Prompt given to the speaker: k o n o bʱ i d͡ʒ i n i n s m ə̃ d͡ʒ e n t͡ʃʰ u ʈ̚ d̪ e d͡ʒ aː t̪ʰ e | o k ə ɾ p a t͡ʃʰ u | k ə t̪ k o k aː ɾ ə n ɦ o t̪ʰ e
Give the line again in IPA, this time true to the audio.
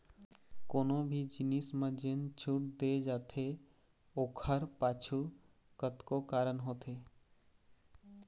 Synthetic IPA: k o n o bʱ i d͡ʒ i n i s m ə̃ d͡ʒ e n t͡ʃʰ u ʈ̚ d̪ e d͡ʒ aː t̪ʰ e | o kʰ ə ɾ p a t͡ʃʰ u | k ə t̪ k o k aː ɾ ə n ɦ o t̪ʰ e